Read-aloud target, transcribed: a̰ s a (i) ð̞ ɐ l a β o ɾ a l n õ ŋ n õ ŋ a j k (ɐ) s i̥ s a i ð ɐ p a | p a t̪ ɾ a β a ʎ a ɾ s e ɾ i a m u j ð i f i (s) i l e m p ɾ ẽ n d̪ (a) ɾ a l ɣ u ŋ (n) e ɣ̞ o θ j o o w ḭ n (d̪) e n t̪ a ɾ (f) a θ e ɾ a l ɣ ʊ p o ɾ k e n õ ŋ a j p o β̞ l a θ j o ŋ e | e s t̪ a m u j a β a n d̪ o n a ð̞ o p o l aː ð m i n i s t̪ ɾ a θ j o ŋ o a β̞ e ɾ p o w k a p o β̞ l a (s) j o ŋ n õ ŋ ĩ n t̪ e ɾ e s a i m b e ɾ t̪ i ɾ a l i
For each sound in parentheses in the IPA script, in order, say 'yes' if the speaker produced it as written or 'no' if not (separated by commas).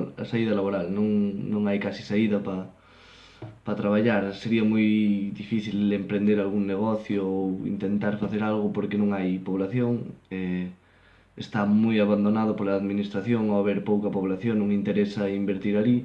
yes, no, no, no, yes, no, yes, no